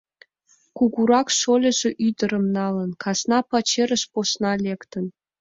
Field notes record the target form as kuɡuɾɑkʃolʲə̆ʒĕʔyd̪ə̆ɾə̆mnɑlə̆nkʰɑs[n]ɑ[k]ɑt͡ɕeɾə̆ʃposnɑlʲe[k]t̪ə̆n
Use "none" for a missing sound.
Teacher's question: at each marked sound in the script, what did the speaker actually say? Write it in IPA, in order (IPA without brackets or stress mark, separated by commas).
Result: n, p, k